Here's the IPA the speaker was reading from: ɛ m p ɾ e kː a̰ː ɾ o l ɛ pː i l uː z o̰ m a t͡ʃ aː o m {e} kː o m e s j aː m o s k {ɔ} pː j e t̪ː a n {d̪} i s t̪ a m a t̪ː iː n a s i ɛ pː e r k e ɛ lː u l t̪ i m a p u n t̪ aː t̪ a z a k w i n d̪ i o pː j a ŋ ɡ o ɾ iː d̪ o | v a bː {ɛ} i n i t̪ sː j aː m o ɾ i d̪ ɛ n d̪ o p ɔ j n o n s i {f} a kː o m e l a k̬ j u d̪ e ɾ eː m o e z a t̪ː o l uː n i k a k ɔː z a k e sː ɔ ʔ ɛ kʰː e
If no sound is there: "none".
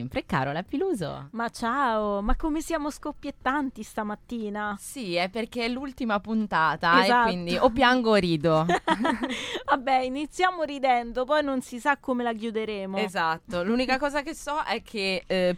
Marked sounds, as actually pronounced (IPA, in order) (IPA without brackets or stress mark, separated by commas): a, o, t̪, ɛ, s